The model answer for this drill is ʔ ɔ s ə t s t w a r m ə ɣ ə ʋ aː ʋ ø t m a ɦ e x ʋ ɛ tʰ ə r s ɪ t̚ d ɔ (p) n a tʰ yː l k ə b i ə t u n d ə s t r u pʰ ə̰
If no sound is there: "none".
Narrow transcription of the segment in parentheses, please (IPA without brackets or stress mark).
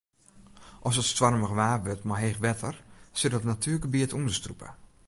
t